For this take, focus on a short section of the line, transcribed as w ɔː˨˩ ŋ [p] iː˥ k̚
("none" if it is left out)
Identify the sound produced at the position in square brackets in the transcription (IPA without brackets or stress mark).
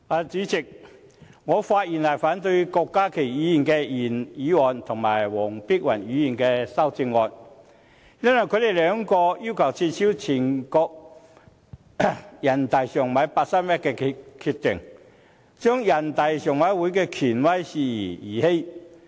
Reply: p